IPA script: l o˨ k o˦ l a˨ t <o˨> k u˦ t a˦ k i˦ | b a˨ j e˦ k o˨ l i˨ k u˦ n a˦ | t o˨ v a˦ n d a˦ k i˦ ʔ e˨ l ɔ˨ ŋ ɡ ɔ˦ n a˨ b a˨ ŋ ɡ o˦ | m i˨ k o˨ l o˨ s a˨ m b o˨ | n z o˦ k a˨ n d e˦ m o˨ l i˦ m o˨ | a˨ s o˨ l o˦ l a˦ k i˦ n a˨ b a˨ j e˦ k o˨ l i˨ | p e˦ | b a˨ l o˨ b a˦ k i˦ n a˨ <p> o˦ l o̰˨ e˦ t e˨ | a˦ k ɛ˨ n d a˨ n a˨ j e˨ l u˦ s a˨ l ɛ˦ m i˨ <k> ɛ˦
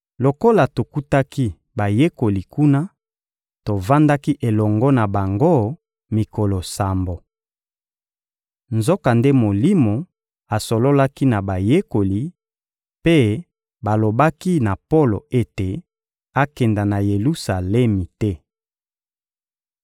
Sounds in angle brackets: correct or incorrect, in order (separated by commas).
correct, correct, incorrect